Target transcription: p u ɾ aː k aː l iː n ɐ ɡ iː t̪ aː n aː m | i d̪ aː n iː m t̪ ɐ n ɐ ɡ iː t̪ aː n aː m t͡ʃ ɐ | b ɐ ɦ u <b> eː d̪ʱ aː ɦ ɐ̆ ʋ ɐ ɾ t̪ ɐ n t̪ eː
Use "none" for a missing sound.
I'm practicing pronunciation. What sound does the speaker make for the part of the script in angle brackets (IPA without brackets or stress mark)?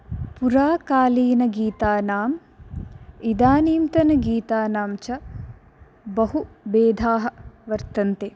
b